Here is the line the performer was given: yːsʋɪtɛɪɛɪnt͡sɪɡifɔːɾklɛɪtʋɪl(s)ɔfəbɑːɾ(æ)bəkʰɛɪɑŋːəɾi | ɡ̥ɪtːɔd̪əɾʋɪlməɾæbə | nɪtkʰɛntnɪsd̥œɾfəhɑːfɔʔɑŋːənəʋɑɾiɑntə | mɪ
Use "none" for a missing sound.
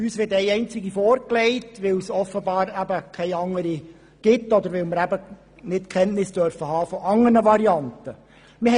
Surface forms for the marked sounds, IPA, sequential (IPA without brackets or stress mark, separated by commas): s, æ